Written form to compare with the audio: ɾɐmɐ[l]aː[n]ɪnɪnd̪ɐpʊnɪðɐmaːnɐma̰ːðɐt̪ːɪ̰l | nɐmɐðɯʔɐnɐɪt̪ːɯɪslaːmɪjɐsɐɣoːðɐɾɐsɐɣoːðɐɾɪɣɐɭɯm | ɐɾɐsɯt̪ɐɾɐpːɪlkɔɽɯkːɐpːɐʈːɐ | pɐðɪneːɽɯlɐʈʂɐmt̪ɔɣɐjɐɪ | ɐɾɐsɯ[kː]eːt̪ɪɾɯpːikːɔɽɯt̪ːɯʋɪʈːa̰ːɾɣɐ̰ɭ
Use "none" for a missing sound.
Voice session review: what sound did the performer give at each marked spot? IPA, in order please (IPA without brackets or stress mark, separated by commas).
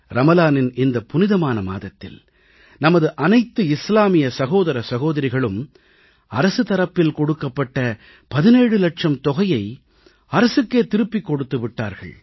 l, n, kː